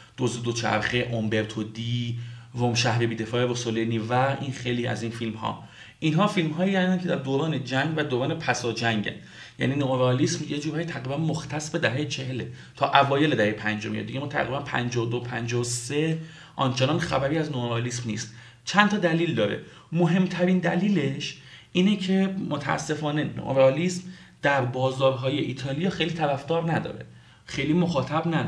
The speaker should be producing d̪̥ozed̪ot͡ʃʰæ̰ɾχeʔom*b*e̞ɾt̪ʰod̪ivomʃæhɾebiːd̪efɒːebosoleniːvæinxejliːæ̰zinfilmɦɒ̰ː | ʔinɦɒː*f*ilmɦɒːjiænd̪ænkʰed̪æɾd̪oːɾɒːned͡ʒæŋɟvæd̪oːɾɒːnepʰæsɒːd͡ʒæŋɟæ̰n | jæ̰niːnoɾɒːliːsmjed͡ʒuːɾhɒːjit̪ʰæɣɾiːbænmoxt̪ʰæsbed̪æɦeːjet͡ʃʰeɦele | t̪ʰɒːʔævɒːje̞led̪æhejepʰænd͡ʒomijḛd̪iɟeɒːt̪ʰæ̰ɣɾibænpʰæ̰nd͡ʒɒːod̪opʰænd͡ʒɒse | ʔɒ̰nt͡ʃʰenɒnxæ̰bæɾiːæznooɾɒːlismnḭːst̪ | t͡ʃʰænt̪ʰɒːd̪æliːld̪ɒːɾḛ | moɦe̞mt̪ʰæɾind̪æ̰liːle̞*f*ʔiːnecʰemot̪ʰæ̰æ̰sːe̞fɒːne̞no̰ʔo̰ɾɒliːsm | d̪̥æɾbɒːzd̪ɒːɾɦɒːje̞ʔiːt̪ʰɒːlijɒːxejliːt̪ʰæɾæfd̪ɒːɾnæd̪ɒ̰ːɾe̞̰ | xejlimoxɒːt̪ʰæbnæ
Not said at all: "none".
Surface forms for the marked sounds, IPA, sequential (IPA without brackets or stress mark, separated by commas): b, f, ʃ